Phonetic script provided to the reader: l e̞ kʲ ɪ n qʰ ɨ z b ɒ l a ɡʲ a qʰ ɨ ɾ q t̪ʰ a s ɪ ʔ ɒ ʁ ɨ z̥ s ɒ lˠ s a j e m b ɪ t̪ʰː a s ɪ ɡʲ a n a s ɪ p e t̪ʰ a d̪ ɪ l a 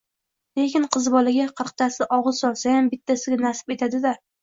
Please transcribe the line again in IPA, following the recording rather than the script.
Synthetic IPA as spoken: l e̞ kʲ ɪ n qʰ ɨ z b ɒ l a ɡʲ a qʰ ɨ ɾ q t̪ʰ a s ɪ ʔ ɒ ʁ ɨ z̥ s ɒ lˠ s a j a m b ɪ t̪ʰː a s ɪ ɡʲ a n a s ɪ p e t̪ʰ a d̪ ɪ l a